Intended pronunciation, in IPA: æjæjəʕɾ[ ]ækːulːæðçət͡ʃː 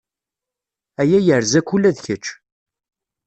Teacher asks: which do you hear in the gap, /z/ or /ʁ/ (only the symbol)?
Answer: z